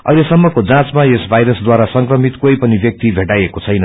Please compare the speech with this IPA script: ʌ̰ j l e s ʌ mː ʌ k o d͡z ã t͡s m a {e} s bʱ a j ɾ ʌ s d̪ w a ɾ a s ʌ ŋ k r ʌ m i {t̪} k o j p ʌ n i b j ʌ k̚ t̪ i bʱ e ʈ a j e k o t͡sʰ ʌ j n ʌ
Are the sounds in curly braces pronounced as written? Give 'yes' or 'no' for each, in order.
yes, yes

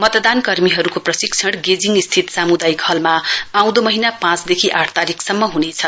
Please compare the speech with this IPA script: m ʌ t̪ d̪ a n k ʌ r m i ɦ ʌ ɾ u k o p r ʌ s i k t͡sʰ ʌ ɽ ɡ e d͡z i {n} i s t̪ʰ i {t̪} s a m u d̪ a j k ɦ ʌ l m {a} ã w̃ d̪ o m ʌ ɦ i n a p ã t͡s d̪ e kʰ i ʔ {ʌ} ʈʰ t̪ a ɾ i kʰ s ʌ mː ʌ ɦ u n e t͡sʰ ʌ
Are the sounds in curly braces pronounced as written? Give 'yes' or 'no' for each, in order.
no, yes, yes, no

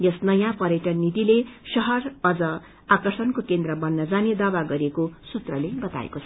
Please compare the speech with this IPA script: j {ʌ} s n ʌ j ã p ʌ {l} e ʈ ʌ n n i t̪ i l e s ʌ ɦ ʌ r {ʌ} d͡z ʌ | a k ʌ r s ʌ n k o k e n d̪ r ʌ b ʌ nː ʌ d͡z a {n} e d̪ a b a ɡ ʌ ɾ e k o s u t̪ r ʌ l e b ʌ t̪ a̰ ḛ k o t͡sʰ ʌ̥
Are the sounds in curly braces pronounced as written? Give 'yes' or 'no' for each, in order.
yes, no, yes, yes

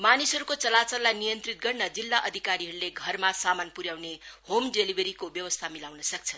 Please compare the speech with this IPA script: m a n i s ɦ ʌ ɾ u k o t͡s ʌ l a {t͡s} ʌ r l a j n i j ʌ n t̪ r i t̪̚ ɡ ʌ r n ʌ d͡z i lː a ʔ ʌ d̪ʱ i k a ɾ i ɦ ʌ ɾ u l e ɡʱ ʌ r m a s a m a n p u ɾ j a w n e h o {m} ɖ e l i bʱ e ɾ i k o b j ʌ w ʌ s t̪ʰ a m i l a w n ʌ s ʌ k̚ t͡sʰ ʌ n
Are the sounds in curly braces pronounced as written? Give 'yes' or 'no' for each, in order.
yes, yes

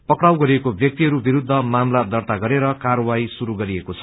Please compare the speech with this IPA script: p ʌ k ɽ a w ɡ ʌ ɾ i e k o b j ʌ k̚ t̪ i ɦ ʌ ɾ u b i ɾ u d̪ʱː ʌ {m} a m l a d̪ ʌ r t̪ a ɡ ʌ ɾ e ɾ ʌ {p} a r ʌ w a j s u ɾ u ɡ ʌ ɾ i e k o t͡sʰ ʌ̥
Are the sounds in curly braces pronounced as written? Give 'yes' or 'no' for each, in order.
yes, no

